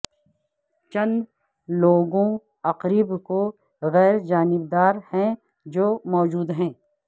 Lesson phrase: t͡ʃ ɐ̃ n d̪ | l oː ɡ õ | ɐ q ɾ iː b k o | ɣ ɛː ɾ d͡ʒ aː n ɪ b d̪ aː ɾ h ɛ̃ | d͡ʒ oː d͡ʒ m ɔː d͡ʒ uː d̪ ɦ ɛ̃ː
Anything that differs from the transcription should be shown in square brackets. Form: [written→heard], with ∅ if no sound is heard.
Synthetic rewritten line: t͡ʃ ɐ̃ n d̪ | l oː ɡ õ | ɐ q ɾ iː b k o | ɣ ɛː ɾ d͡ʒ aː n ɪ b d̪ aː ɾ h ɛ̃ | d͡ʒ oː [d͡ʒ→∅] m ɔː d͡ʒ uː d̪ ɦ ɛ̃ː